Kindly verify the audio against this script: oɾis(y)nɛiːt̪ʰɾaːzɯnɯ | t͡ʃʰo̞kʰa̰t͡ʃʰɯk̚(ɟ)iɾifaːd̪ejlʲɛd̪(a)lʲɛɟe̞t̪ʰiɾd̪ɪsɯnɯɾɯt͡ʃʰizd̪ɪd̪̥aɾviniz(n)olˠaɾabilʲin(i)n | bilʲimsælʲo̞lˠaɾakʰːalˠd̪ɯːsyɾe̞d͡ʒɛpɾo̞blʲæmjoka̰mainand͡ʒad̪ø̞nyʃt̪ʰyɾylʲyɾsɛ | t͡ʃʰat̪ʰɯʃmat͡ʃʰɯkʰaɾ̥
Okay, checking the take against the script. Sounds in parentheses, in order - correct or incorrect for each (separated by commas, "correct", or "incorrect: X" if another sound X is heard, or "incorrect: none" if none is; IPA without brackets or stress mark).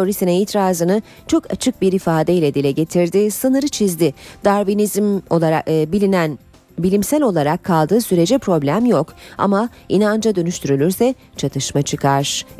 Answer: incorrect: i, incorrect: b, incorrect: i, incorrect: m, incorrect: æ